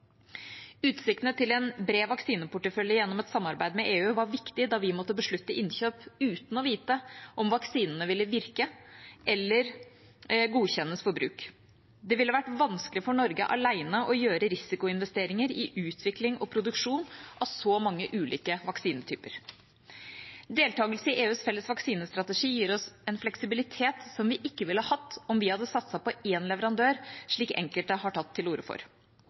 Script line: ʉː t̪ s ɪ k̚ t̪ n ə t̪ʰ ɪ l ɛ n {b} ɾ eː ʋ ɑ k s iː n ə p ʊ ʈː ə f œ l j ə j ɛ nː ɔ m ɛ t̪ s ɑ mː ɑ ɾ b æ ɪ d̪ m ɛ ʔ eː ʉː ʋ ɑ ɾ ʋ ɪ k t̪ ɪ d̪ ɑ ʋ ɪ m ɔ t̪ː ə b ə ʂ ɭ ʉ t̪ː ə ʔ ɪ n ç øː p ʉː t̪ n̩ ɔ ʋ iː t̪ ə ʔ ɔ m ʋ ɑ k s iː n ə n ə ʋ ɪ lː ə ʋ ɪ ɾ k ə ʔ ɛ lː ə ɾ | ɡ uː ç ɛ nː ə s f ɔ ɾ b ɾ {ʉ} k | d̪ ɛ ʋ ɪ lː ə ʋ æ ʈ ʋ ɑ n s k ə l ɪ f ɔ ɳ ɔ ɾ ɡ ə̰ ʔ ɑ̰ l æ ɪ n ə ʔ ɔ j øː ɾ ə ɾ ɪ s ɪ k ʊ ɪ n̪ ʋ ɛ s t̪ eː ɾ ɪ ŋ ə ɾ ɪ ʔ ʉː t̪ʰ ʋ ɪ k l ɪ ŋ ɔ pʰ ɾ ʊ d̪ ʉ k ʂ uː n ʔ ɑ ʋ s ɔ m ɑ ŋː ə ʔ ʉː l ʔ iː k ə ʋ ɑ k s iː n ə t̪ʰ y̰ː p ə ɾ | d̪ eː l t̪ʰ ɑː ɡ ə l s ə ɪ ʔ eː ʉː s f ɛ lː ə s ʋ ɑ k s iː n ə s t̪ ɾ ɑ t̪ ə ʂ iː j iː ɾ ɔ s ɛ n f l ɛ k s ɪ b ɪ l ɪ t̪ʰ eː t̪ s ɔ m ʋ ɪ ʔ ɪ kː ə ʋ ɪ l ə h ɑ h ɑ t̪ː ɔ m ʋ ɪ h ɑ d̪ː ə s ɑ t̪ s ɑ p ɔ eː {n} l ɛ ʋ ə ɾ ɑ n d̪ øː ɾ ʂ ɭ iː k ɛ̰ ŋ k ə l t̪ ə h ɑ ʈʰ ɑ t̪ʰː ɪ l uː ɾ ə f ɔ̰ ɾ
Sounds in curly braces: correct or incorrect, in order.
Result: correct, incorrect, correct

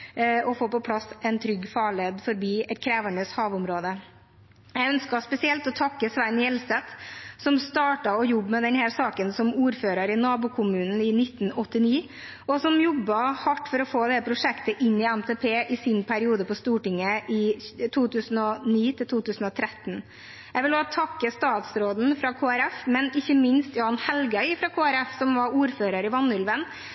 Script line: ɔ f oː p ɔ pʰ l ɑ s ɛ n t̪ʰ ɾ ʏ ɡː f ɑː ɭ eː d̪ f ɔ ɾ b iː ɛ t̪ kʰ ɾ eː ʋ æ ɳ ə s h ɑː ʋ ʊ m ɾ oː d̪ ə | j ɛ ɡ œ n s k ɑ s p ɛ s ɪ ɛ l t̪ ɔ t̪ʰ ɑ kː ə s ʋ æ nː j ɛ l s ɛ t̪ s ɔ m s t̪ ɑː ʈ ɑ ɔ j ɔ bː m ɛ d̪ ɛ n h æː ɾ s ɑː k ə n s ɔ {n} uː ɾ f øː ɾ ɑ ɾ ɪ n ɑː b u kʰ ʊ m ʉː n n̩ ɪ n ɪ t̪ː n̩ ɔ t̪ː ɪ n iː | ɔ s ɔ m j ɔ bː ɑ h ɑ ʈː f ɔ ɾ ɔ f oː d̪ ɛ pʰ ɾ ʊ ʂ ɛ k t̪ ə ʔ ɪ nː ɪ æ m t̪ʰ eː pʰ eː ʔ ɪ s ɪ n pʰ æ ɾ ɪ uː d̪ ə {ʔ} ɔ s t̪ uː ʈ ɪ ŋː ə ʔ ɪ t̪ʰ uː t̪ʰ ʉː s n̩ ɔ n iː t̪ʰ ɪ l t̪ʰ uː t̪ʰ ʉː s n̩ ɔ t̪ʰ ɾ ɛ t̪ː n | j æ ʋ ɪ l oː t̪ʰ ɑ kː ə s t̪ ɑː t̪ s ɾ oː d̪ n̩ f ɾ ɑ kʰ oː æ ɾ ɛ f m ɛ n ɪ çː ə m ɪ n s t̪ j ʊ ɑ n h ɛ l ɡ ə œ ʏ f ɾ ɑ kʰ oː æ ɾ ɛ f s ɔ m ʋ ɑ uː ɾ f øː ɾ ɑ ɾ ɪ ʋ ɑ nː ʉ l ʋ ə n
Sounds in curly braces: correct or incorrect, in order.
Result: incorrect, incorrect

